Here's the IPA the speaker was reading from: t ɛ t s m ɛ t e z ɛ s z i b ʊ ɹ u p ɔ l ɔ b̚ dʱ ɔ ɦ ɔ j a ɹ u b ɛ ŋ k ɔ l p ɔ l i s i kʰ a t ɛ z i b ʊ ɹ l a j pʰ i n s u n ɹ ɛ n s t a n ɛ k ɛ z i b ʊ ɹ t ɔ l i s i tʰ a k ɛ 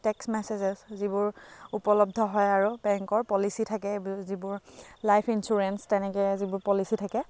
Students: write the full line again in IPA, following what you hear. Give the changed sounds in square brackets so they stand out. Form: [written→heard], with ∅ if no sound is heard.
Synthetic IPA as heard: t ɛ [t→k] s m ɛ [t→s] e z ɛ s z i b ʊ ɹ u p ɔ l ɔ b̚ dʱ ɔ ɦ ɔ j a ɹ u b ɛ ŋ k ɔ [l→ɹ] p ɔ l i s i [kʰ→tʰ] a [t→k] ɛ z i b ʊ ɹ l a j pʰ i n s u [n→∅] ɹ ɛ n s t [a→ɛ] n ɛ k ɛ z i b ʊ ɹ [t→p] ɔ l i s i tʰ a k ɛ

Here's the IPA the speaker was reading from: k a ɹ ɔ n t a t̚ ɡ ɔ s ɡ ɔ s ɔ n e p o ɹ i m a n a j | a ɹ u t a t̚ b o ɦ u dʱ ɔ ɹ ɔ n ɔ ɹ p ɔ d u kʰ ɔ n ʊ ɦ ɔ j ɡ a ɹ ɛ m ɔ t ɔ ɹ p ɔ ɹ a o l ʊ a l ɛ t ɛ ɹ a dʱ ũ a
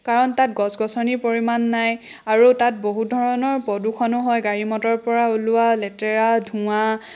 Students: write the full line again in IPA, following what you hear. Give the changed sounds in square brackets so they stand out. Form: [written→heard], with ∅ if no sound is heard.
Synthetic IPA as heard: k a ɹ ɔ n t a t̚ ɡ ɔ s ɡ ɔ s ɔ n [e→i] p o ɹ i m a [n→nː] a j | a ɹ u t a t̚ b o ɦ u dʱ ɔ ɹ ɔ n ɔ ɹ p ɔ d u kʰ ɔ n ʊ ɦ ɔ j ɡ a ɹ [ɛ→i] m ɔ t ɔ ɹ p ɔ ɹ a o l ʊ a l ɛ t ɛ ɹ a dʱ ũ a

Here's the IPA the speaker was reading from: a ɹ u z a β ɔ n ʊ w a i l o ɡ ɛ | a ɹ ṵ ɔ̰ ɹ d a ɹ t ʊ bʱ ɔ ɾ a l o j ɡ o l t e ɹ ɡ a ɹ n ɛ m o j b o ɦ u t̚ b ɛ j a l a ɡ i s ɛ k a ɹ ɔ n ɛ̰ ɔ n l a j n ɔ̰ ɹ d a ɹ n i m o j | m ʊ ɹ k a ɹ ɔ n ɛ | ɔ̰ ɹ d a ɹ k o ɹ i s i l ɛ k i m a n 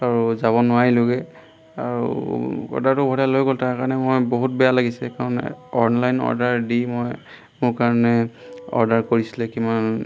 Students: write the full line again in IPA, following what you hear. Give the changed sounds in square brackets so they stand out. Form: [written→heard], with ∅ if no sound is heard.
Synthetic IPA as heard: a ɹ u z a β ɔ n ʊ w a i l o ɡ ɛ | a ɹ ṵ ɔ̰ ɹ d a ɹ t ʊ bʱ ɔ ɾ a l o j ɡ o l t [e→a] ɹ [ɡ→k] a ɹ n ɛ m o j b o ɦ u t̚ b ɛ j a l a ɡ i s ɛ k a ɹ ɔ n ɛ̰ ɔ n l a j n ɔ̰ ɹ d a ɹ [n→d] i m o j | m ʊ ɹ k a ɹ ɔ n ɛ | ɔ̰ ɹ d a ɹ k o ɹ i s i l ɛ k i m a n

